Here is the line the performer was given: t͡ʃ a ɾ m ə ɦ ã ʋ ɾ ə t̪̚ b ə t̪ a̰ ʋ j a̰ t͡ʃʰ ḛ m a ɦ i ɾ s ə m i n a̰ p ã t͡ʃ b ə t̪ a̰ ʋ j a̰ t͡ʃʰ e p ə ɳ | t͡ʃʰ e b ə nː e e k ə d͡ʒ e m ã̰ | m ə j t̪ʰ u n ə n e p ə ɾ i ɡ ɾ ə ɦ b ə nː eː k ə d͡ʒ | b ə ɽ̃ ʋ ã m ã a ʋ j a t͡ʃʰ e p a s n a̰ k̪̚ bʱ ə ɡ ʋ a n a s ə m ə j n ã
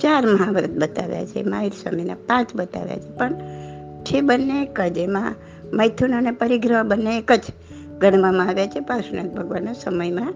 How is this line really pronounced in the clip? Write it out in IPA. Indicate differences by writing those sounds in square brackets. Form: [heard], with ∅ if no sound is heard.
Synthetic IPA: t͡ʃ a ɾ m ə ɦ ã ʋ ɾ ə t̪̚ b ə t̪ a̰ ʋ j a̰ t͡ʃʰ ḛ m a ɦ i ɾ s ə m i n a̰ p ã t͡ʃ b ə t̪ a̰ ʋ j a̰ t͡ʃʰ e p ə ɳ | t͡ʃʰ e b ə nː e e k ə d͡ʒ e m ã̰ | m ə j t̪ʰ u n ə n e p ə ɾ i ɡ ɾ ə ɦ b ə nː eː k ə d͡ʒ | [ɡ] ə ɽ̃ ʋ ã m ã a ʋ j a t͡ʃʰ e p a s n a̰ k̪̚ bʱ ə ɡ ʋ a n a s ə m ə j [m] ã